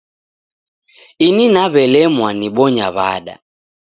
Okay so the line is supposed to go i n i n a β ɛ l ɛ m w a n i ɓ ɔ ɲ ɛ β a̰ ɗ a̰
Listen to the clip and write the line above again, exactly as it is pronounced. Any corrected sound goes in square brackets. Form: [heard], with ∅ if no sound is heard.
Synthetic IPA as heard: i n i n a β ɛ l ɛ m w a n i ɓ ɔ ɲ [a] β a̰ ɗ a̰